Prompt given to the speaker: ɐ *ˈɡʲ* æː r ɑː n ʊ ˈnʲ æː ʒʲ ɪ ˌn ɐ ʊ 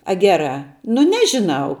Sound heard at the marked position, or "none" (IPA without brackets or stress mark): ɡʲ